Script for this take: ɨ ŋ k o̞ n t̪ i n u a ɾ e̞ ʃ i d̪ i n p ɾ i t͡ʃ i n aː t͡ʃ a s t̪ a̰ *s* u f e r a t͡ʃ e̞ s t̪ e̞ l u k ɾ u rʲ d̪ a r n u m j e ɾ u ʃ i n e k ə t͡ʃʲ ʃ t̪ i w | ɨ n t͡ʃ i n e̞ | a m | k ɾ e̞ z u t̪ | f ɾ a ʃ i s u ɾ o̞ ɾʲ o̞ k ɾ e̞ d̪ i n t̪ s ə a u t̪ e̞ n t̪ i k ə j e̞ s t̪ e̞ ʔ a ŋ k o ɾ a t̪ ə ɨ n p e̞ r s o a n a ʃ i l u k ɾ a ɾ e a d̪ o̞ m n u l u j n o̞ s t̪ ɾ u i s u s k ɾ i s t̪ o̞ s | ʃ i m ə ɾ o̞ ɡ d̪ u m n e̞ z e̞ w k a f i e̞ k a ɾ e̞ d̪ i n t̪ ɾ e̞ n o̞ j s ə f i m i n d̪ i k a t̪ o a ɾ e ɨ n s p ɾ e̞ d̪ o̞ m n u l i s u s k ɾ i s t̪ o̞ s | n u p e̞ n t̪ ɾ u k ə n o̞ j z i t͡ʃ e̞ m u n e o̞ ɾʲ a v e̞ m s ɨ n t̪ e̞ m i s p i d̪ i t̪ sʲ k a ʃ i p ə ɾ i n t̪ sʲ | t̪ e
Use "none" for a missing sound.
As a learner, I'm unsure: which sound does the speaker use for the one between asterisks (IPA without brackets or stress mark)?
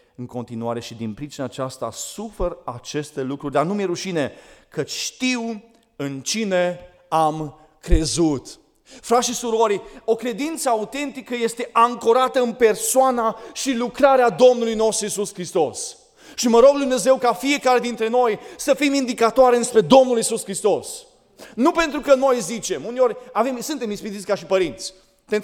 s